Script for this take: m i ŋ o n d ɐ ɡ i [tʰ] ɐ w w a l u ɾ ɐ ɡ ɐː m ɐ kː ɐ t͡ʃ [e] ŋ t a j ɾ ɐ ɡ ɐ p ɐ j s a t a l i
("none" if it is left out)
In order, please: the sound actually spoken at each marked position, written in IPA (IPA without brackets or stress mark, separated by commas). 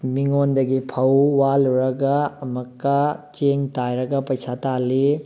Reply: pʰ, e